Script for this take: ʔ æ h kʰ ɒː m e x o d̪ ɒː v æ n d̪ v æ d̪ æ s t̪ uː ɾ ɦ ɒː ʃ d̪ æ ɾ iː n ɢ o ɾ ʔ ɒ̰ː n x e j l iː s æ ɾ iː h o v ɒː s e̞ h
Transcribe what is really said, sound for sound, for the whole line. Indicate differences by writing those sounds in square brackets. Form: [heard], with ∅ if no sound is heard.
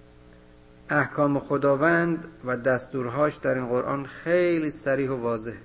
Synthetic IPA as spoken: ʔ æ h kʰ ɒː m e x o d̪ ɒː v æ n d̪ v æ d̪ æ s t̪ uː ɾ ɦ ɒː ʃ d̪ æ ɾ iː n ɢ o ɾ ʔ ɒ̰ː n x e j l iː s æ ɾ iː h o v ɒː [z] e̞ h